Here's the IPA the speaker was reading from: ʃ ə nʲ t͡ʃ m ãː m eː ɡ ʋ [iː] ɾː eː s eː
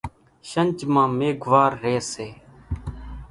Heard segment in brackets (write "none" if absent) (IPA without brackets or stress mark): aː